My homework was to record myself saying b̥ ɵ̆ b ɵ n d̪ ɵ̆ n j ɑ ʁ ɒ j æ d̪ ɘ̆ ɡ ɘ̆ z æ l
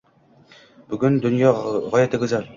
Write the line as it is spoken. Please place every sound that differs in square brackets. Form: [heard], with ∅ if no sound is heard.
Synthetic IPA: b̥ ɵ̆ [ɡ] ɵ n d̪ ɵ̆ n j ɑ ʁ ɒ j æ [t̪] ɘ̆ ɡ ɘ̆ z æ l